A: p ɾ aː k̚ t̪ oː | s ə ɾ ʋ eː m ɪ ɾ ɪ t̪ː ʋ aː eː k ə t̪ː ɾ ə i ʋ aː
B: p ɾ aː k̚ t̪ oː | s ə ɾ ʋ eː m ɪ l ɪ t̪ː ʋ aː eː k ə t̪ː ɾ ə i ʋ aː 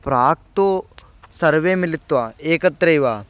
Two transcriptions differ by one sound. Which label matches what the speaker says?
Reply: B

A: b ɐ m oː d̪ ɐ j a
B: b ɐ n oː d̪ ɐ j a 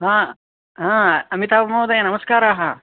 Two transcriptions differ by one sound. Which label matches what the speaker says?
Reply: A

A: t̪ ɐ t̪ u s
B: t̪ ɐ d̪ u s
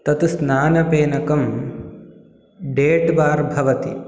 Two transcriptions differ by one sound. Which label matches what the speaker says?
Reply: A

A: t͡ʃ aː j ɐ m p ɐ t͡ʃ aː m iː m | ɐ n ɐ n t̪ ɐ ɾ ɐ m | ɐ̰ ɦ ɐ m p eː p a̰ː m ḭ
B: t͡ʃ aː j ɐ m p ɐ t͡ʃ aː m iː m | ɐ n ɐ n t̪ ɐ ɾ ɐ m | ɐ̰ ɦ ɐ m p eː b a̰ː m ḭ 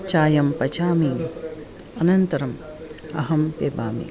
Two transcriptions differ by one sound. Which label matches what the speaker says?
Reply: B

